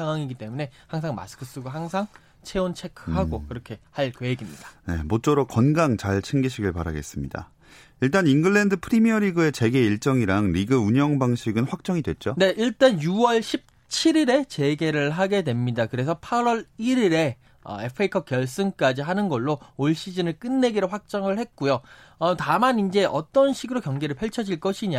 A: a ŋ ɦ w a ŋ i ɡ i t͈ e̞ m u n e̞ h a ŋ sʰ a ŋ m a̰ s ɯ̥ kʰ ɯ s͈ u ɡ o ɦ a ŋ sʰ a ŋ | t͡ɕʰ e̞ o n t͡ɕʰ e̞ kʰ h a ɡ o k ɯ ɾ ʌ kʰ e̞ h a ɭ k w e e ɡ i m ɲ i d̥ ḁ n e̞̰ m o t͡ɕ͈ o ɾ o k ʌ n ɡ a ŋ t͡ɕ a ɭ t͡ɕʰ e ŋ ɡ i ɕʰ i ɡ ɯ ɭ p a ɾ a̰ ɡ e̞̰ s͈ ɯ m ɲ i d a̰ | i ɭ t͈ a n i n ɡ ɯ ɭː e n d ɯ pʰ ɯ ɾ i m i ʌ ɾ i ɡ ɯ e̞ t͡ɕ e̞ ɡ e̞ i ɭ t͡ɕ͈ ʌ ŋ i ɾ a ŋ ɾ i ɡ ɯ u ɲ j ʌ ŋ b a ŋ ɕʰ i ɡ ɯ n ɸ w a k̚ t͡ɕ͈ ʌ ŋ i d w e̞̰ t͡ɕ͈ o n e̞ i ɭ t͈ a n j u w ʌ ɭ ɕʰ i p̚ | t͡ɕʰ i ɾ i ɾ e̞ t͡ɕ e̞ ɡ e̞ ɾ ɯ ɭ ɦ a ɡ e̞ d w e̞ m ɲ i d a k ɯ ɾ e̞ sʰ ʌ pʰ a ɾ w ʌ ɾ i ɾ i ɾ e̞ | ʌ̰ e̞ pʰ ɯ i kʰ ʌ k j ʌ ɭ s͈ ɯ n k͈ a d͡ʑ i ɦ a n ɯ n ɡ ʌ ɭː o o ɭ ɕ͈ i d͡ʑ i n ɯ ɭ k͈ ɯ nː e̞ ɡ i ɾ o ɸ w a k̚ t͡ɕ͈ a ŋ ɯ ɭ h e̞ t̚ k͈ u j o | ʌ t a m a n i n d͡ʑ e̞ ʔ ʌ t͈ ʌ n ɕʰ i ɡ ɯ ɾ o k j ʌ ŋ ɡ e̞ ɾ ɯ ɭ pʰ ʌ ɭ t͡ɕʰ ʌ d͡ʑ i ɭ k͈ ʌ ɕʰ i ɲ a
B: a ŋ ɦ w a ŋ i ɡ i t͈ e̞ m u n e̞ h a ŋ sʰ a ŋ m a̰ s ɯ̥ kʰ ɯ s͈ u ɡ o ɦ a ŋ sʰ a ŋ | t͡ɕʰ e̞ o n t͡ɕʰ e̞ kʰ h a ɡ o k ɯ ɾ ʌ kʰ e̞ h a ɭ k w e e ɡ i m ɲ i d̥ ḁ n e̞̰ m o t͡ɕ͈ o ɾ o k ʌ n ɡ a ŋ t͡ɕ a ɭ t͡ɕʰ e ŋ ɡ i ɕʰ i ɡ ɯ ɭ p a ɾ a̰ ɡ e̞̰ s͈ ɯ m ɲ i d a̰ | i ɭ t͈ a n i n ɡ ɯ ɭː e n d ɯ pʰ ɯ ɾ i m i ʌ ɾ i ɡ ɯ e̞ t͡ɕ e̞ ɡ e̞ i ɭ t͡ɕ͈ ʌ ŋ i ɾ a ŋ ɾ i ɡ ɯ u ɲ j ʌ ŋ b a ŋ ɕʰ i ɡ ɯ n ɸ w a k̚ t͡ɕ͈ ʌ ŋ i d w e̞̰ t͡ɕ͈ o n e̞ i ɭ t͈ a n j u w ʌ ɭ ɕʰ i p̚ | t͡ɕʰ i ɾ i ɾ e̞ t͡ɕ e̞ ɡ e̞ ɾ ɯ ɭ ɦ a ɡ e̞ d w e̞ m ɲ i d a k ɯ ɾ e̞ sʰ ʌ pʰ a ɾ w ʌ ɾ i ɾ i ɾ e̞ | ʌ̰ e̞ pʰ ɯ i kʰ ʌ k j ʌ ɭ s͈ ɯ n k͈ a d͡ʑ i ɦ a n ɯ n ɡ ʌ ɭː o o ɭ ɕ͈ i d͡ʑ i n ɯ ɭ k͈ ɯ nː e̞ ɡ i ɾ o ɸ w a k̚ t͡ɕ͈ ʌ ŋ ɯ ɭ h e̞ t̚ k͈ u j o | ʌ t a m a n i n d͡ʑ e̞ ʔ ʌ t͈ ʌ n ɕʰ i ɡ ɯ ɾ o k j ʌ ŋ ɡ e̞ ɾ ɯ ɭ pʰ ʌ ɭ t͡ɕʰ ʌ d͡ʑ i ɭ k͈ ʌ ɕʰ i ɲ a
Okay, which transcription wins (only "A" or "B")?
B